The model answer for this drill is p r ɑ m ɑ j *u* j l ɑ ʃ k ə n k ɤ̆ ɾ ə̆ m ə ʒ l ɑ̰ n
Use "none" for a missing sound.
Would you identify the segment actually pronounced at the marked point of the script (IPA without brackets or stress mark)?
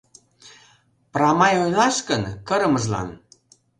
o